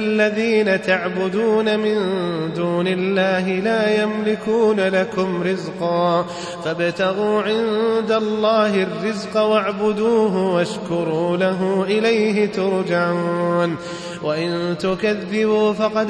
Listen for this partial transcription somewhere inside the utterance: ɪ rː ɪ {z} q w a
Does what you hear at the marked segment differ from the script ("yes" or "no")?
no